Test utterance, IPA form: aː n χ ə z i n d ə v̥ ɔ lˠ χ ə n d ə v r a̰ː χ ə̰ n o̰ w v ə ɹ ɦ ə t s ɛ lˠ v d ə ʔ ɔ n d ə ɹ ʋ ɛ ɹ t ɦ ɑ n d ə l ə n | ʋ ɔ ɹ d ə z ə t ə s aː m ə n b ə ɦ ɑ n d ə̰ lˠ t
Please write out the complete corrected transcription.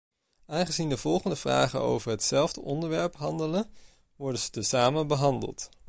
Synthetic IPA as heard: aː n χ ə z i n d ə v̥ ɔ lˠ χ ə n d ə v r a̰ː χ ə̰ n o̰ w v ə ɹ ɦ ə t s ɛ lˠ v d ə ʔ ɔ n d ə ɹ ʋ ɛ ɹ p ɦ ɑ n d ə l ə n | ʋ ɔ ɹ d ə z ə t ə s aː m ə n b ə ɦ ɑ n d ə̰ lˠ t